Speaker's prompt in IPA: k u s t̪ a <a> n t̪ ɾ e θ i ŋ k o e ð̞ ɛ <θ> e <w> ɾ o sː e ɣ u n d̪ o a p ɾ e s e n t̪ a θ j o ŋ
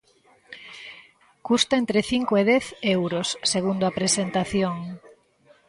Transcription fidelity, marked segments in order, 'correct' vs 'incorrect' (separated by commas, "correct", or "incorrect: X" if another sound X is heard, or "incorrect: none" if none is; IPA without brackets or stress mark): incorrect: e, correct, correct